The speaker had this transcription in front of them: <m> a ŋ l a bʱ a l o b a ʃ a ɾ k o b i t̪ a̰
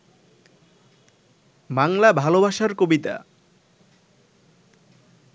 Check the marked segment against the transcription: incorrect: b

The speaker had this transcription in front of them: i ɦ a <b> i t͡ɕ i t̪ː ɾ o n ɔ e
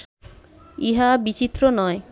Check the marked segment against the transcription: correct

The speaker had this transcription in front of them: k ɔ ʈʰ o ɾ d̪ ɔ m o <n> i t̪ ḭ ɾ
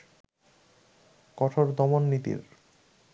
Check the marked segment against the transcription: incorrect: nː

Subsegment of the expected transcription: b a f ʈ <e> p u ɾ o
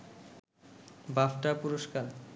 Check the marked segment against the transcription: incorrect: a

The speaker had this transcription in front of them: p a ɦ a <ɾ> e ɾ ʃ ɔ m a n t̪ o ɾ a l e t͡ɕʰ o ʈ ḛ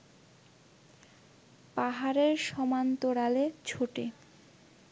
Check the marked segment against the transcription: correct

